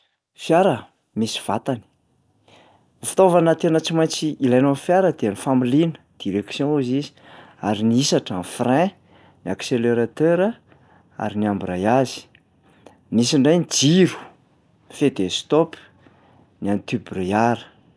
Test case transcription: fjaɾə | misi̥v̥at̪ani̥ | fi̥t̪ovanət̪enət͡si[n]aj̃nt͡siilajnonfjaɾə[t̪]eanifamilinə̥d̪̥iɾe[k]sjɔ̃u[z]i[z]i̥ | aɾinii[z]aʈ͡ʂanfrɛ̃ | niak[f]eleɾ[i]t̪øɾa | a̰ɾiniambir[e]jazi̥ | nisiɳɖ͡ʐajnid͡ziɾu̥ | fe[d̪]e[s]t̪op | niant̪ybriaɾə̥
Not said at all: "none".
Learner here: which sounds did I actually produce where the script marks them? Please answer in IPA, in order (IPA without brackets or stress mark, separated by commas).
m, d̪, k, z, z, s, s, a, a, d̪, s